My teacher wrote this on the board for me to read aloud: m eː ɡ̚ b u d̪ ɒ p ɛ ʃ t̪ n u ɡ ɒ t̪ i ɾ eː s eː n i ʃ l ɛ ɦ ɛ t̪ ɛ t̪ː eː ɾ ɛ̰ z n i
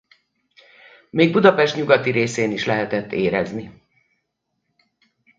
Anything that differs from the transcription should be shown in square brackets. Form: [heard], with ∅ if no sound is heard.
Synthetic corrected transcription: m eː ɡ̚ b u d̪ ɒ p ɛ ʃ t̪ [ɲ] u ɡ ɒ t̪ i ɾ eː s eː n i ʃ l ɛ ɦ ɛ t̪ ɛ t̪ː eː ɾ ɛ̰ z n i